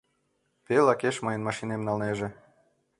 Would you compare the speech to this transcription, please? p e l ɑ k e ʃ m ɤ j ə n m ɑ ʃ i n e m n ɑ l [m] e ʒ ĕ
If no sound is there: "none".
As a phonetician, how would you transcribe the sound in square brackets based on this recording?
n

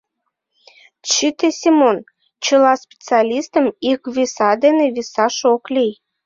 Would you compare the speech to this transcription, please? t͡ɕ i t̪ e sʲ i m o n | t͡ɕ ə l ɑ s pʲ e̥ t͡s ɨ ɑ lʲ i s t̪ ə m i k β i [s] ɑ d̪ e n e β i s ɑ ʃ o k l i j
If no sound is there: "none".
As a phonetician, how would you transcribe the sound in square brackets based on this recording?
s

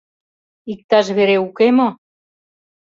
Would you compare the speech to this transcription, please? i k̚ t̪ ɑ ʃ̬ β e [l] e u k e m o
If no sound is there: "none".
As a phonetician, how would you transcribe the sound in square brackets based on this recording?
ɾ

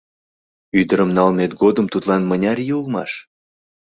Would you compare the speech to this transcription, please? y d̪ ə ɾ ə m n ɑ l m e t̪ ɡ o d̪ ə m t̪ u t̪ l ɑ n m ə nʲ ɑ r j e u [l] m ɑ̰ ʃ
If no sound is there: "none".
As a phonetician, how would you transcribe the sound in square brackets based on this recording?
l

